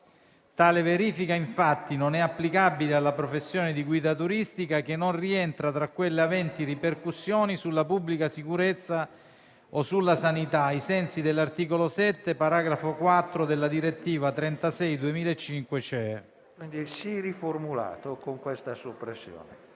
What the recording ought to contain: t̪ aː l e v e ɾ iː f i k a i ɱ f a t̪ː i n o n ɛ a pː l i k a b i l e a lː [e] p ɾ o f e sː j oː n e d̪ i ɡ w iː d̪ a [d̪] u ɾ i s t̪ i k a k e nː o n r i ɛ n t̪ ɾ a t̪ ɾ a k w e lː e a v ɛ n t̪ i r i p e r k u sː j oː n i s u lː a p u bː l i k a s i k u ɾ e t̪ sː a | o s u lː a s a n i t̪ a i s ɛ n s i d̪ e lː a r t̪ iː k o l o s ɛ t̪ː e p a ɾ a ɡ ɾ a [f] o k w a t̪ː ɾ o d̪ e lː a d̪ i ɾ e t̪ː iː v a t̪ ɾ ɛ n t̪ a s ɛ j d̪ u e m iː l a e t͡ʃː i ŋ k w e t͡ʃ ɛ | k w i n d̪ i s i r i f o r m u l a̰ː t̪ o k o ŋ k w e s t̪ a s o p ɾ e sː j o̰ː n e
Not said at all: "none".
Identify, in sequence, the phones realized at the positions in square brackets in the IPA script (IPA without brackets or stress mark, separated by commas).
a, t̪, f